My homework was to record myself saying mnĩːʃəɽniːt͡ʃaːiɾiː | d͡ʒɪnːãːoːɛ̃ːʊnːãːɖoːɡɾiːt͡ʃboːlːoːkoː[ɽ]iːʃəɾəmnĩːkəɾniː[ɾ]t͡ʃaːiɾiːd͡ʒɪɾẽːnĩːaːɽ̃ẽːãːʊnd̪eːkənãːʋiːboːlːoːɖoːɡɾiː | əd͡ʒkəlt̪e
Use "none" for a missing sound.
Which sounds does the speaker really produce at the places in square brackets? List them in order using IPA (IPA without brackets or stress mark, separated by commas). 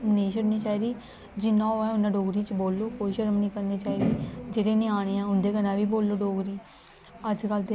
none, none